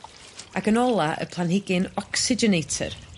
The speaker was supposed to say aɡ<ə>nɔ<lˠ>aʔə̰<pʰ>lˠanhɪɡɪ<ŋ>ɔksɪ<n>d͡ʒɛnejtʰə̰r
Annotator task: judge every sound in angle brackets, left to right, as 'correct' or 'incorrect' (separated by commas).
correct, correct, correct, incorrect, incorrect